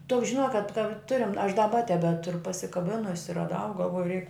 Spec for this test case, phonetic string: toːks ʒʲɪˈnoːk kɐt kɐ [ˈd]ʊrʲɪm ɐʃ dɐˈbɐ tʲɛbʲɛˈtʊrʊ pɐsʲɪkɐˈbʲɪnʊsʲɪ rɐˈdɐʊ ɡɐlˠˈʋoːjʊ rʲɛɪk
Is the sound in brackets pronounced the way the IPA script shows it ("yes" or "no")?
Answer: no